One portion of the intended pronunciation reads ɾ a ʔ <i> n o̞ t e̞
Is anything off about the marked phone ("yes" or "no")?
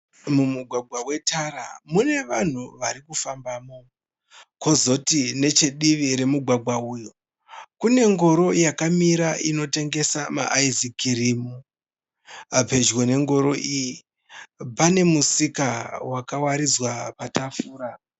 no